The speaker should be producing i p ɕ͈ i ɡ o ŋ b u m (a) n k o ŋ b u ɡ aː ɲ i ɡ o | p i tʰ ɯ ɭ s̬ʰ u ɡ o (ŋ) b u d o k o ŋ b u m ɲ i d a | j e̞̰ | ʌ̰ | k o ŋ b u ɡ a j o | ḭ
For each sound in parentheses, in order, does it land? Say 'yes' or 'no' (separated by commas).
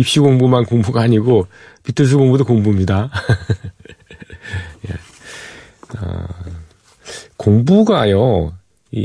yes, yes